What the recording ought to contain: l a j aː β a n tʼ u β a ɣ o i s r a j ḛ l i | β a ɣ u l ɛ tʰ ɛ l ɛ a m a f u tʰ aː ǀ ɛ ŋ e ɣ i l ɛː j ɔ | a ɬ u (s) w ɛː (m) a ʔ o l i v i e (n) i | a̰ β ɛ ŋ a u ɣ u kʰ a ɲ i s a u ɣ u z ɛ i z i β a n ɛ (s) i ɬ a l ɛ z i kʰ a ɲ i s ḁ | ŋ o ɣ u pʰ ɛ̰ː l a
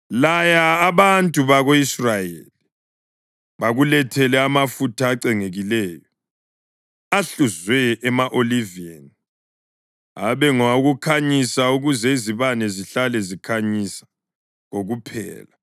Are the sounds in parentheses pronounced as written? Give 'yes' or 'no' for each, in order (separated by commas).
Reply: no, yes, yes, no